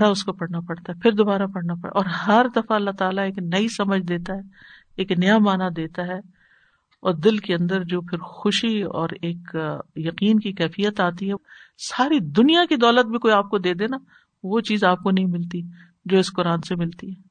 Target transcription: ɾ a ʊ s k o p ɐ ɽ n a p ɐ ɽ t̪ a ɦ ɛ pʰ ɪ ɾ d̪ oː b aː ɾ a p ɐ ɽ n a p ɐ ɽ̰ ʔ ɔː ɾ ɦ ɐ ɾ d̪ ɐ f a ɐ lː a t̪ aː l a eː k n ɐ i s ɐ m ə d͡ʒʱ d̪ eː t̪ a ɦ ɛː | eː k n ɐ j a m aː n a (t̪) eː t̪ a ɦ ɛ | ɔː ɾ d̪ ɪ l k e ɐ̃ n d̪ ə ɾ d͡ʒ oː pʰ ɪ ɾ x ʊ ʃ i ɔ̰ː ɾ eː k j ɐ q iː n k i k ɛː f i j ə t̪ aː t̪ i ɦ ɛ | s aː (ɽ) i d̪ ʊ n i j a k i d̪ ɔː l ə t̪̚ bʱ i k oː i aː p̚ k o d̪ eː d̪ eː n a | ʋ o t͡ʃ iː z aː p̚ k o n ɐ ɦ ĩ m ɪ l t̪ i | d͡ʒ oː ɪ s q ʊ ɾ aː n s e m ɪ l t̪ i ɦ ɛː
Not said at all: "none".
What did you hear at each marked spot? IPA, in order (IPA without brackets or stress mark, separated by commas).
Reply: d̪, ɾ